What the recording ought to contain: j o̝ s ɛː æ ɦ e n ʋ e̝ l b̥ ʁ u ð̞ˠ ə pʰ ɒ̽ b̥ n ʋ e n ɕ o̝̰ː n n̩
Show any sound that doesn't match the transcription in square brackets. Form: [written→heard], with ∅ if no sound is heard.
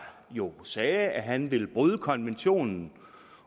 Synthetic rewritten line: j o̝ s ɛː æ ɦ [e→æ] n ʋ e̝ l b̥ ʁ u ð̞ˠ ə [pʰ→kʰ] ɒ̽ [b̥→∅] n ʋ e n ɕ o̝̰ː n n̩